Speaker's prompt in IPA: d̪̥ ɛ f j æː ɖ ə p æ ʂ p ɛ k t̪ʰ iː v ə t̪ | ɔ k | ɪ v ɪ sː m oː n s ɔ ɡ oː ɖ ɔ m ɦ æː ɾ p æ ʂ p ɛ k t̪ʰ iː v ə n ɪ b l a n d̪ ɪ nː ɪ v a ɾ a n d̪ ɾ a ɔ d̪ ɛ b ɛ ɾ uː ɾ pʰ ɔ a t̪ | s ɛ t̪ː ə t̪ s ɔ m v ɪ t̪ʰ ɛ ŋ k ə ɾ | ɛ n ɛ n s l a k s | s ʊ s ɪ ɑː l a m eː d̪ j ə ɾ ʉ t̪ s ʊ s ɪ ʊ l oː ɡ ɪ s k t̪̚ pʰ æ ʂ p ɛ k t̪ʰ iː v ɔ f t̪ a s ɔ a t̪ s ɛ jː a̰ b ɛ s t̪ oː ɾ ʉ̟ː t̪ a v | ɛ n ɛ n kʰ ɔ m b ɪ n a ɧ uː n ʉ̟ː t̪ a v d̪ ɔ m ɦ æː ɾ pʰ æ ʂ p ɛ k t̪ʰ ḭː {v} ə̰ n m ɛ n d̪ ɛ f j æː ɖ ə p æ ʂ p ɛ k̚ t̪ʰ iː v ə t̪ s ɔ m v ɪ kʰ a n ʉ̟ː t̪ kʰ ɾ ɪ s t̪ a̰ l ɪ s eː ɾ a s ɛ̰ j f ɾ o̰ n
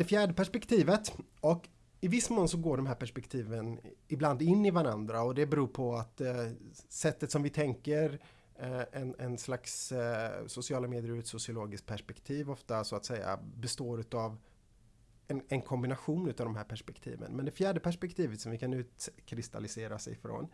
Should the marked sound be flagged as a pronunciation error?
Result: no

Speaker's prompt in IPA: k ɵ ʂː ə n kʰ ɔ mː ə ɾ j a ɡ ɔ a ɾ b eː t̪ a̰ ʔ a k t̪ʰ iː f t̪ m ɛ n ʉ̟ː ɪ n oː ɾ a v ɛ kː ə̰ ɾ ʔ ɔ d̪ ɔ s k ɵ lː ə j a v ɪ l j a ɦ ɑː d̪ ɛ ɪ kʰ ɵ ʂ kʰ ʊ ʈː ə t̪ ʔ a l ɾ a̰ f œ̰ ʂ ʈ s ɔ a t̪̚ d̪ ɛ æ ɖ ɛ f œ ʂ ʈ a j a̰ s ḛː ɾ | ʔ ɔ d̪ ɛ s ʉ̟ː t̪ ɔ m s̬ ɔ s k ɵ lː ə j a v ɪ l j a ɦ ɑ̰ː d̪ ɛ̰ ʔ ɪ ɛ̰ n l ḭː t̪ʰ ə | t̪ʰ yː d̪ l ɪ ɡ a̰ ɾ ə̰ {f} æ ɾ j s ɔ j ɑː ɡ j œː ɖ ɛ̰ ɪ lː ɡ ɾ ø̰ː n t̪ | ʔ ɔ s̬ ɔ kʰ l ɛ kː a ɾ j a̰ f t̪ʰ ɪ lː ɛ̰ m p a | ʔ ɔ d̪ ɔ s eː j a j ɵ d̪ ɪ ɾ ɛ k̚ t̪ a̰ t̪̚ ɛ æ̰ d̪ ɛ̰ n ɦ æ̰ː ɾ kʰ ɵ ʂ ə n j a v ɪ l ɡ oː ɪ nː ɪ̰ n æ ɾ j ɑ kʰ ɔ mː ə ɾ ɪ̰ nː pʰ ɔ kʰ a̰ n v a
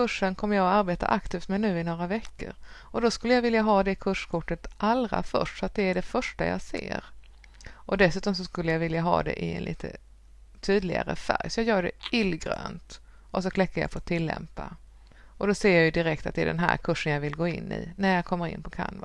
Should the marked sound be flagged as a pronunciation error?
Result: no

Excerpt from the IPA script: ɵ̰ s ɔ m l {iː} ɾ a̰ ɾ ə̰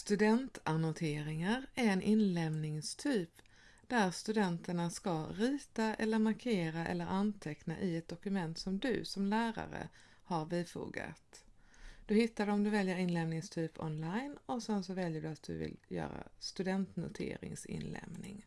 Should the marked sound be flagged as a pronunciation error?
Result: yes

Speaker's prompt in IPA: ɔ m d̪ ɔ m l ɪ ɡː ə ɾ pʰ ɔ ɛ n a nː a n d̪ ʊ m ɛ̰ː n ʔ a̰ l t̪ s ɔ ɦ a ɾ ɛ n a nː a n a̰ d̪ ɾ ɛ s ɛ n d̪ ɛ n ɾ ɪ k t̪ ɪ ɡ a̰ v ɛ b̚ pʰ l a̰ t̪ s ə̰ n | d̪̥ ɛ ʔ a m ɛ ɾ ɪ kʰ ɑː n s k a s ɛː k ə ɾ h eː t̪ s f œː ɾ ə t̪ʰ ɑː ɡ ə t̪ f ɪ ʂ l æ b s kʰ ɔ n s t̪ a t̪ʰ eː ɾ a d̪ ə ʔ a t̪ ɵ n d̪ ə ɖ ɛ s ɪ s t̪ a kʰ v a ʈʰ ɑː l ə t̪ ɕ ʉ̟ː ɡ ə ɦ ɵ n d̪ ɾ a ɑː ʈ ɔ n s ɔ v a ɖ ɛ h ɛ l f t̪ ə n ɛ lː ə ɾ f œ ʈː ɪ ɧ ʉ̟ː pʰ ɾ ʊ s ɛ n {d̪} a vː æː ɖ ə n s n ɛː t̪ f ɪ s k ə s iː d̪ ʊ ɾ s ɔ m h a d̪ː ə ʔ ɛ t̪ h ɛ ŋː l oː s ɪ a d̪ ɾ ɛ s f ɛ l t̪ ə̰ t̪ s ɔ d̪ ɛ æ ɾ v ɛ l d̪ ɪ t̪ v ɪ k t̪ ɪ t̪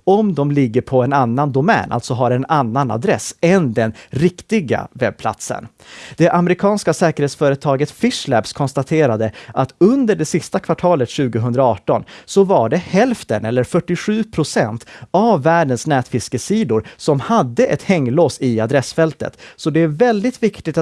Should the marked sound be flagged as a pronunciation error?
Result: yes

